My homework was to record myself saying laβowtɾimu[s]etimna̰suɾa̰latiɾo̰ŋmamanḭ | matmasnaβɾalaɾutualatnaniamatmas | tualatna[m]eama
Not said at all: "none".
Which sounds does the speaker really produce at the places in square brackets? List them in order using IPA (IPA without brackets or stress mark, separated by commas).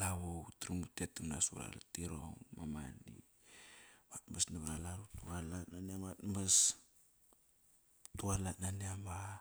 t, n